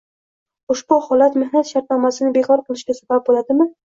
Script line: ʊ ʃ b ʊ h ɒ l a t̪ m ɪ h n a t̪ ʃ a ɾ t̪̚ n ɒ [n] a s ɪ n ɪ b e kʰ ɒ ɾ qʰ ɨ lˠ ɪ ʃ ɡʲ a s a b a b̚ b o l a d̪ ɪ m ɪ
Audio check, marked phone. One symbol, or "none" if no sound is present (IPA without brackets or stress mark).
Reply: m